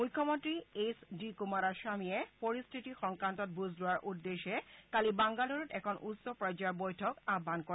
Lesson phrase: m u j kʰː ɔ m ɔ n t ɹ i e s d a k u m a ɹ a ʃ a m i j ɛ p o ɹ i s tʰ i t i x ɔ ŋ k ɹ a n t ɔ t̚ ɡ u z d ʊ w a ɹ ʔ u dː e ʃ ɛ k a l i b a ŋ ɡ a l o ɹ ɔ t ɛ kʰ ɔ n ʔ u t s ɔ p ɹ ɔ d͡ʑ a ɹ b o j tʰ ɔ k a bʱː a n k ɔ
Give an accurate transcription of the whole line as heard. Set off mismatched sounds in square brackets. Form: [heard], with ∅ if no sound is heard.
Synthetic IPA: m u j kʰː ɔ m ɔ n t ɹ i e s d [i] k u m a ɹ a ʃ a m i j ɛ p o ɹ i s tʰ i t i x ɔ ŋ k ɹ a n t ɔ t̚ [b] u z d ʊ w a ɹ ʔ u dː e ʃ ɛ k a l i b a ŋ ɡ a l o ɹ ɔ t ɛ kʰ ɔ n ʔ u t s ɔ p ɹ ɔ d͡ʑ a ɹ b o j tʰ ɔ k a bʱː a n k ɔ

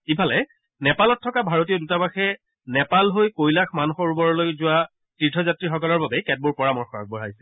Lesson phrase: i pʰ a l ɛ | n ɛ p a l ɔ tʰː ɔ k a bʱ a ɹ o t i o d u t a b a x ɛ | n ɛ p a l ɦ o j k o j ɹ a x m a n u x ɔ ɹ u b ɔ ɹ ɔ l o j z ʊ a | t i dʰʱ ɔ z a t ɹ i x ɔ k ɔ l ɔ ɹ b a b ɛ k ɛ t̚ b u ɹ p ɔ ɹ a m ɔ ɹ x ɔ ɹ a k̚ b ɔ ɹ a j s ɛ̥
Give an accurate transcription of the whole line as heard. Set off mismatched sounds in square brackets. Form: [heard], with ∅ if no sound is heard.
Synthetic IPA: i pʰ a l ɛ | n ɛ p a l ɔ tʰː ɔ k a bʱ a ɹ o t i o d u t a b a x ɛ | n ɛ p a l ɦ o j k o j [l] a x m a n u x ɔ ɹ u b ɔ ɹ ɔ l o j z ʊ a | t i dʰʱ ɔ z a t ɹ i x ɔ k ɔ l ɔ ɹ b a b ɛ k ɛ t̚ b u ɹ p ɔ ɹ a m ɔ ɹ x ɔ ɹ a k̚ b ɔ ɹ a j s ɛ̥

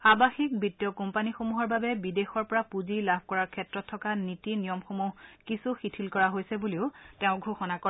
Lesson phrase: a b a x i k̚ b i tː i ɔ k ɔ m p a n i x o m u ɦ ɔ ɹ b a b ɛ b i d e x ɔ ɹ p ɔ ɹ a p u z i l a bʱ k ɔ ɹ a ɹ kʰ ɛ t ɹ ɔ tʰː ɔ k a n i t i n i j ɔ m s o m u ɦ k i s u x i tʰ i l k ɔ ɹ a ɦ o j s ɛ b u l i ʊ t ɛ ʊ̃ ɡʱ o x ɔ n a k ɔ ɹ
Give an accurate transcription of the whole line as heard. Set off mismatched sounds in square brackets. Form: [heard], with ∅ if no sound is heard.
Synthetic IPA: a b a x i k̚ b i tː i ɔ k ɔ m p a n i x o m u ɦ ɔ ɹ b a b ɛ b i d e x ɔ ɹ p ɔ ɹ a p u z i l a bʱ k ɔ ɹ a ɹ kʰ ɛ t ɹ ɔ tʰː ɔ k a n i t i n i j ɔ m [x] o m u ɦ k i s u x i tʰ i l k ɔ ɹ a ɦ o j s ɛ b u l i ʊ t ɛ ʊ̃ ɡʱ o x ɔ n a k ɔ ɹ

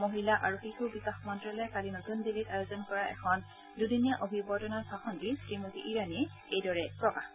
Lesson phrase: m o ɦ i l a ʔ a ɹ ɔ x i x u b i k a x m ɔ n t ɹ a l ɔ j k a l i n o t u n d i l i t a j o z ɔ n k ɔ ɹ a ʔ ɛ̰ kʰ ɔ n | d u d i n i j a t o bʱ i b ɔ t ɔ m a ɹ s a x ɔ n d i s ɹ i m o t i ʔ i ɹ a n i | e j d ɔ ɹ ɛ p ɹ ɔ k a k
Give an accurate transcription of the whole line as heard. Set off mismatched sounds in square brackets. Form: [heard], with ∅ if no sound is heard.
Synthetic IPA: m o ɦ i l a ʔ a ɹ [u] x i x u b i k a x m ɔ n t ɹ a l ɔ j k a l i n o t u n d i l i t a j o z ɔ n k ɔ ɹ a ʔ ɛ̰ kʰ ɔ n | d u d i n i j a [ʔ] o bʱ i b ɔ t ɔ [n] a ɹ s a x ɔ n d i s ɹ i m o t i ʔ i ɹ a n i | e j d ɔ ɹ ɛ p ɹ ɔ k a [x]

